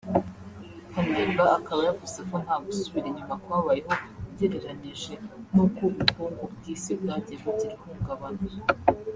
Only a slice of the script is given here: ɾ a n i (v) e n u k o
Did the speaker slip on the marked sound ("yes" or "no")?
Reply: yes